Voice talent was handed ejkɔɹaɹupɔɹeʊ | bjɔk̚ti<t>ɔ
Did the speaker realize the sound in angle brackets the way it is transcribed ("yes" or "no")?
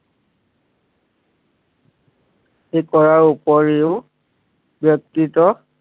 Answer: yes